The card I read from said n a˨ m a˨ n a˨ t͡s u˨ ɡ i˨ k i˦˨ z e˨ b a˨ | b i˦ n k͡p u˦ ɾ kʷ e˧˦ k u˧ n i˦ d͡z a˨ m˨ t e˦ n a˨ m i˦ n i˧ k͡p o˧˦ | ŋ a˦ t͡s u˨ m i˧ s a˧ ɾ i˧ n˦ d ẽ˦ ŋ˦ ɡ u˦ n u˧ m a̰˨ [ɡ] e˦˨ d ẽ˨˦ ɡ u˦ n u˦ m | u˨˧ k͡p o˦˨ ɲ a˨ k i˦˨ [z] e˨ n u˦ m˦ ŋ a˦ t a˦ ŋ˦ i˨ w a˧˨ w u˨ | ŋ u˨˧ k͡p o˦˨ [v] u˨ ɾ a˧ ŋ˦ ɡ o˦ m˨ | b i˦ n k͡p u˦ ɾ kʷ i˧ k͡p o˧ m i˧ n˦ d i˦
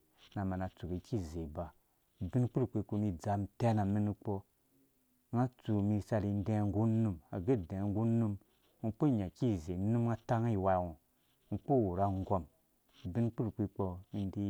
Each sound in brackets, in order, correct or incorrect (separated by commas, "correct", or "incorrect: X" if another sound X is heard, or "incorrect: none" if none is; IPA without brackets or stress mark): correct, correct, incorrect: w